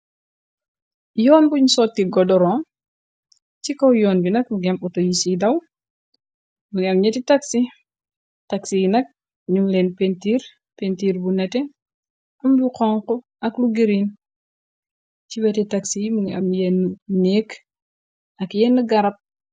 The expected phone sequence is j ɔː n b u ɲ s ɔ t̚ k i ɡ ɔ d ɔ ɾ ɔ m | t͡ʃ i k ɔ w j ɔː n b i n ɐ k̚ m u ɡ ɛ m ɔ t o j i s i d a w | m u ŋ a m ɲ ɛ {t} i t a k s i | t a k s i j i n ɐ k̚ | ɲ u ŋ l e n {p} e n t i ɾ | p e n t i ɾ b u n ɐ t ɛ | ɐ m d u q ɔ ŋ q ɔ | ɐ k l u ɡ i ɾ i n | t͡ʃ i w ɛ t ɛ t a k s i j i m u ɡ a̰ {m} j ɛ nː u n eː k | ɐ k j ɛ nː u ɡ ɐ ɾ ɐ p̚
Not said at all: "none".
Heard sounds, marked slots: t, p, m

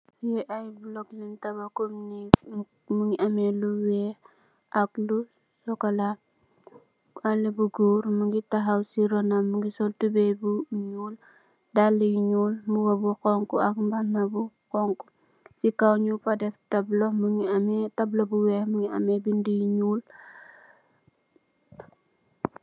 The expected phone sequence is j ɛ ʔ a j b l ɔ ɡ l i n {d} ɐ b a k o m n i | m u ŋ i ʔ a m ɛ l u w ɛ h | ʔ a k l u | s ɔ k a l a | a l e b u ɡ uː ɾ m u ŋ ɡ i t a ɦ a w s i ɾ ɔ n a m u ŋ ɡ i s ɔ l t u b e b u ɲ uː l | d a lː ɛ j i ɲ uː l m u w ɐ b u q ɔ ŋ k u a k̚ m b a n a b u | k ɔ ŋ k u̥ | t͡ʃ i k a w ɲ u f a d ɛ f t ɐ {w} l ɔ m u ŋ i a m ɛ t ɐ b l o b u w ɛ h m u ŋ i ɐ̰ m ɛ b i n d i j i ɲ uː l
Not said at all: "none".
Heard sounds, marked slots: t, b

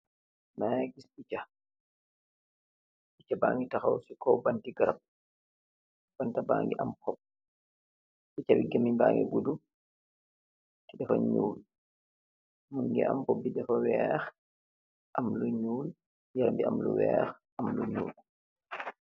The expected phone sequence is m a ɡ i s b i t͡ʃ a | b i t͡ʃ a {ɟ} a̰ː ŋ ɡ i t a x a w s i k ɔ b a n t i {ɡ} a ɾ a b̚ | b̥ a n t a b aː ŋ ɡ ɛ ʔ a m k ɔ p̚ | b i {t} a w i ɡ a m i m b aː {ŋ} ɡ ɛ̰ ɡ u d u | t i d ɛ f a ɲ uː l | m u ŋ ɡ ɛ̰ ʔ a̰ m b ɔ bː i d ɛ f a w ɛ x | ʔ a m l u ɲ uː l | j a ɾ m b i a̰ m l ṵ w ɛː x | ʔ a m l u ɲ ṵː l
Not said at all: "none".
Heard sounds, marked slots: b, ɡ, t͡ʃ, ŋ

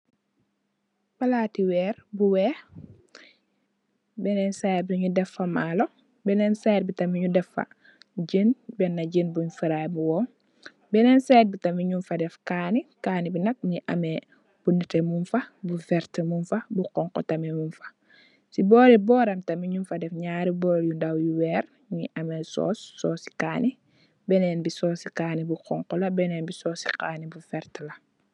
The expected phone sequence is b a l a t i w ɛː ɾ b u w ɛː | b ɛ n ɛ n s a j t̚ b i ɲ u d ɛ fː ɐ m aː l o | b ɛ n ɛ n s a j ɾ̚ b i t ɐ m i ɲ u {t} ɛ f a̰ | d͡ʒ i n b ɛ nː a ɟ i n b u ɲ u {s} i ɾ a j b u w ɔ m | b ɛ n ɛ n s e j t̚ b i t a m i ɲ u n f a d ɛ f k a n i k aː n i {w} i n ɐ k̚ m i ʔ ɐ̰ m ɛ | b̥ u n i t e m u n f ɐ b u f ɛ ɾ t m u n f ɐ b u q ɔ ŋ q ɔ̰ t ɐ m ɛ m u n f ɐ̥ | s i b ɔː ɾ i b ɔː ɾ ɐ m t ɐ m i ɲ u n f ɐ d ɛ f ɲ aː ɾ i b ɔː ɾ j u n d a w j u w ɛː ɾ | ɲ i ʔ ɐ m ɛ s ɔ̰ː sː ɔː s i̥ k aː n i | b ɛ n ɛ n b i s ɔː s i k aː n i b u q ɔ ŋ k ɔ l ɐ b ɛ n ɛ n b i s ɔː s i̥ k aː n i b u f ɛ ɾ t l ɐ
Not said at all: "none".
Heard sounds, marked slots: d, f, b

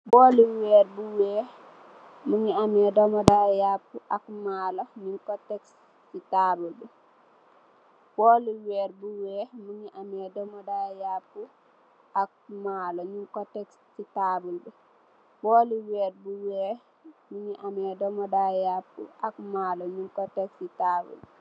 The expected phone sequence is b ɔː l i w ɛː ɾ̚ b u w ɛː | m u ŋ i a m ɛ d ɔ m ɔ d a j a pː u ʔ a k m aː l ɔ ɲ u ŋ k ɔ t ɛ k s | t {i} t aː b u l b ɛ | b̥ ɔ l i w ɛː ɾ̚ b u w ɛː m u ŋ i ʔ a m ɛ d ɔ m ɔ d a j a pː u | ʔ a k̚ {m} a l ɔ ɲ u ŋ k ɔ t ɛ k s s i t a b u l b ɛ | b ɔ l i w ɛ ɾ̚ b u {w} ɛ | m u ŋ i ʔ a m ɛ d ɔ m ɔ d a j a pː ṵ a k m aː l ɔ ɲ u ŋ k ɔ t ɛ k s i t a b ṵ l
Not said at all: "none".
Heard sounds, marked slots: i, m, w

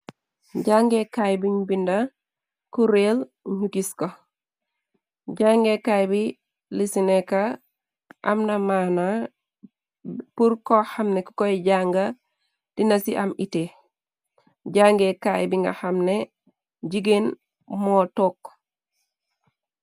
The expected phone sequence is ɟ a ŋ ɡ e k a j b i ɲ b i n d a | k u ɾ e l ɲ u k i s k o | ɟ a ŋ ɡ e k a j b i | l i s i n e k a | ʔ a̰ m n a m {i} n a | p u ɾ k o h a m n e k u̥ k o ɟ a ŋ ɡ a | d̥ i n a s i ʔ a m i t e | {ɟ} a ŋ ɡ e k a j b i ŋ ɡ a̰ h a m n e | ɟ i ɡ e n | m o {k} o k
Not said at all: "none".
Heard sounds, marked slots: a, ɟ, t

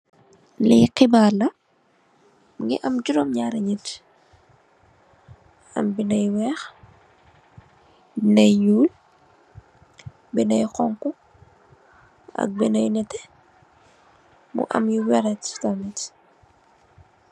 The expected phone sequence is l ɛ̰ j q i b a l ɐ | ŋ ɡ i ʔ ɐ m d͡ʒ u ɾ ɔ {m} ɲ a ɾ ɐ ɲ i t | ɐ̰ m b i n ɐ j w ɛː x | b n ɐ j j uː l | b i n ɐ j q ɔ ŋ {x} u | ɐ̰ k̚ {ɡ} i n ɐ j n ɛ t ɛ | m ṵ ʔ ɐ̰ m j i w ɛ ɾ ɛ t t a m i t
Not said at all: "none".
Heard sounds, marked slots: m, k, b

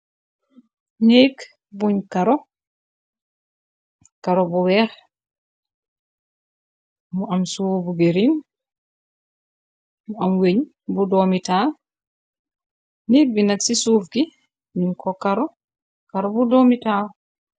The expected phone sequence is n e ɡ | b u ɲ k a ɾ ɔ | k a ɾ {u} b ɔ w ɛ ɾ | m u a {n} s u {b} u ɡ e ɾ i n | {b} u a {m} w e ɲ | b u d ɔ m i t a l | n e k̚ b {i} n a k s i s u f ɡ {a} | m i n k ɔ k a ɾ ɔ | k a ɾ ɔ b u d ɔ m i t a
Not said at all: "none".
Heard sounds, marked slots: ɔ, m, b, m, m, i, i

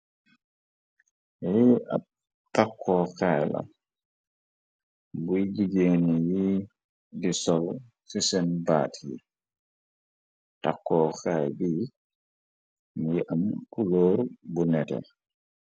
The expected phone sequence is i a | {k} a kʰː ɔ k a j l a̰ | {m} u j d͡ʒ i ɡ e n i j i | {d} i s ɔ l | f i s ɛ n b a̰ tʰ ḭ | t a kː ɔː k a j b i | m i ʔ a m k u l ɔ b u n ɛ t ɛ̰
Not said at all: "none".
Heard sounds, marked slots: t, b, d

